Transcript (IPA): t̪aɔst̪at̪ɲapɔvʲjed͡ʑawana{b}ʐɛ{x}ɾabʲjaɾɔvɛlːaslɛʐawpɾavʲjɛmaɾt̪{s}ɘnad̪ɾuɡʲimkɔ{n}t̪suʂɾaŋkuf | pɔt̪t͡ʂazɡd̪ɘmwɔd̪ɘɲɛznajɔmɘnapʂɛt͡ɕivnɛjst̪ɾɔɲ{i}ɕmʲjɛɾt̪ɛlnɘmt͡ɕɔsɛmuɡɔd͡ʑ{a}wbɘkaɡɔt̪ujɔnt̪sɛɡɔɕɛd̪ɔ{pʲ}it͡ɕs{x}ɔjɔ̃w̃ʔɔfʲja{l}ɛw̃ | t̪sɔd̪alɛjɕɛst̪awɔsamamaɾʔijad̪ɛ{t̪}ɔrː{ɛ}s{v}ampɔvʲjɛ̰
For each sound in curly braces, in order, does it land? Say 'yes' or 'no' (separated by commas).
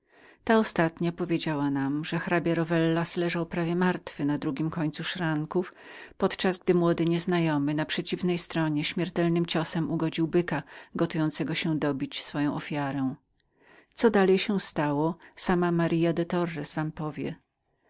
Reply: no, yes, no, no, no, no, no, no, no, yes, yes, yes